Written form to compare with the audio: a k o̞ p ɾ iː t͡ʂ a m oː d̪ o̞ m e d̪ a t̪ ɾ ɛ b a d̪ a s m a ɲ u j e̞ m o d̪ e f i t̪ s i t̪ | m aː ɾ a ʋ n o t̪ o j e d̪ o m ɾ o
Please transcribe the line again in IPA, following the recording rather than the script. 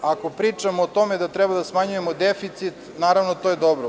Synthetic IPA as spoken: a k o̞ p ɾ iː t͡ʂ a m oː t̪ o̞ m e d̪ a t̪ ɾ ɛ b a d̪ a s m a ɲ u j e̞ m o d̪ e f i t̪ s i t̪ | n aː ɾ a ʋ n o t̪ o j e d̪ o b ɾ o

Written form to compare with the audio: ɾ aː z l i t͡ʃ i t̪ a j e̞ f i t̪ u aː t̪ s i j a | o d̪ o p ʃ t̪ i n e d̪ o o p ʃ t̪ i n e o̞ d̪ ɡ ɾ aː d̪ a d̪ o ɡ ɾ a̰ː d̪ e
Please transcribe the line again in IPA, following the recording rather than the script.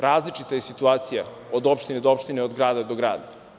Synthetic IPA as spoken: ɾ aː z l i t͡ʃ i t̪ a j e̞ s i t̪ u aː t̪ s i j a | o d̪ o p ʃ t̪ i n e d̪ o o p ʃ t̪ i n e o̞ d̪ ɡ ɾ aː d̪ a d̪ o ɡ ɾ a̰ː d̪ a

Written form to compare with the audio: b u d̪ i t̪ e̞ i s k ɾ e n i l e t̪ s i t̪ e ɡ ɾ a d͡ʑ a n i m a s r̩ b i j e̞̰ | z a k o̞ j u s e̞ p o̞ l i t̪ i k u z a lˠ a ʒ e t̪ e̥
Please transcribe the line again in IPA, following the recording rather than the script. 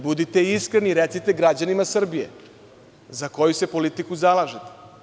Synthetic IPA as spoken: b u d̪ i t̪ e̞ i s k ɾ e n i ɾ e t̪ s i t̪ e ɡ ɾ a d͡ʑ a n i m a s r̩ b i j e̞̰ | z a k o̞ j u s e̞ p o̞ l i t̪ i k u z a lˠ a ʒ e t̪ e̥

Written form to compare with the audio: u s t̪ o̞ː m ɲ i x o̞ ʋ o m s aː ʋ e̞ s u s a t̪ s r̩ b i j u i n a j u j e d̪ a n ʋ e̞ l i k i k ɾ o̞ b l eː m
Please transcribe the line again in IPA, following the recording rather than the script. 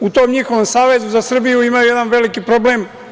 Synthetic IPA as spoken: u t̪ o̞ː m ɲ i x o̞ ʋ o m s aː ʋ e̞ z u z a s r̩ b i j u i m a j u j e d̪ a n ʋ e̞ l i k i p ɾ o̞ b l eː m

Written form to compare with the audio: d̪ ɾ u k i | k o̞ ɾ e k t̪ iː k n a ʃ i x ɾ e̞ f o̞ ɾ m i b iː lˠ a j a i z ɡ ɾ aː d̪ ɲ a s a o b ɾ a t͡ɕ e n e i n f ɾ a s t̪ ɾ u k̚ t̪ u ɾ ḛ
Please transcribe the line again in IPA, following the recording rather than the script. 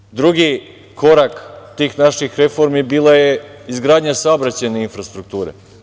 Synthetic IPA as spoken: d̪ ɾ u ɡ i | k o̞ ɾ a k t̪ iː x n a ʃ i x ɾ e̞ f o̞ ɾ m i b iː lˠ a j e i z ɡ ɾ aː d̪ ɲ a s a o b ɾ a t͡ɕ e n e i n f ɾ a s t̪ ɾ u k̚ t̪ uː ɾ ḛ

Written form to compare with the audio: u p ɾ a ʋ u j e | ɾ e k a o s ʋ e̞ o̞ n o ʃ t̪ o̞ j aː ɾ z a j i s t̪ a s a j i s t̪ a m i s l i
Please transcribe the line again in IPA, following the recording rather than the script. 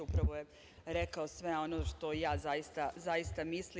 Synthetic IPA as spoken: u p ɾ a ʋ o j e | ɾ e k a o s ʋ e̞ o̞ n o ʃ t̪ o̞ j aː z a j i s t̪ a z a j i s t̪ a m i s l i

